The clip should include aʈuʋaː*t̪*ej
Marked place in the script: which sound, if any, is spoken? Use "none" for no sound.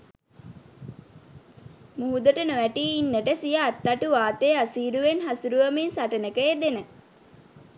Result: t̪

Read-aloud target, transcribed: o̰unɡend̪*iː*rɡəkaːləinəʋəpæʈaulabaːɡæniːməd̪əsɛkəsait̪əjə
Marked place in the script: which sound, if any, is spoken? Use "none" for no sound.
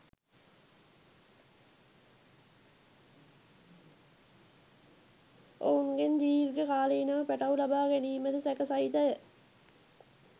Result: iː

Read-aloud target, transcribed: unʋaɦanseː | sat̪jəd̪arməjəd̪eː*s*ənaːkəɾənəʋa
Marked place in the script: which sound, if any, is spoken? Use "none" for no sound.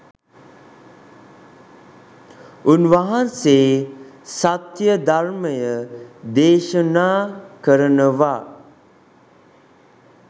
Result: ʃ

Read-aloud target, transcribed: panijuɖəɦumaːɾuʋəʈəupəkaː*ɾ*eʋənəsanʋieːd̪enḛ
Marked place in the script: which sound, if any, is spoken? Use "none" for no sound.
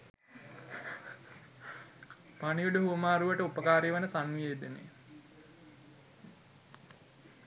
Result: ɾ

